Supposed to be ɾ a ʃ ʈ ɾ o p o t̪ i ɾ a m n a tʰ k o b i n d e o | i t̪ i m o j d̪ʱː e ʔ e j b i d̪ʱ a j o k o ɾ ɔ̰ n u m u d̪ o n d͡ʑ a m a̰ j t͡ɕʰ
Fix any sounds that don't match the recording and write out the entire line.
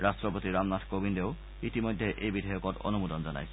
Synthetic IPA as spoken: ɾ a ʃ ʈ ɾ o p o t̪ i ɾ a m n a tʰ k o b i n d e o | i t̪ i m o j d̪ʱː e ʔ e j b i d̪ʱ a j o k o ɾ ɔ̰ n u m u d̪ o n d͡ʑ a n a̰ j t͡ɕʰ